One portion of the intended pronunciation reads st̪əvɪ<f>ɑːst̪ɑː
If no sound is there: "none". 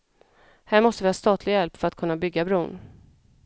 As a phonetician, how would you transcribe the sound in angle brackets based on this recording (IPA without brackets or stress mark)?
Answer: h